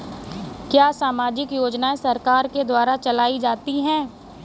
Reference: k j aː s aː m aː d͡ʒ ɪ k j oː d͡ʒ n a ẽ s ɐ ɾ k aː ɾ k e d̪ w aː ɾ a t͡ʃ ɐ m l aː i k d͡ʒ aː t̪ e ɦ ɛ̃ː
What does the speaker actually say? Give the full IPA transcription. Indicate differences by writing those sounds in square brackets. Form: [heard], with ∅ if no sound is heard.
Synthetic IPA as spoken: k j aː s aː m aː d͡ʒ ɪ k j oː d͡ʒ n a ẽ s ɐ ɾ k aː ɾ k e d̪ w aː ɾ a t͡ʃ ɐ [∅] l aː i [∅] d͡ʒ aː t̪ [i] ɦ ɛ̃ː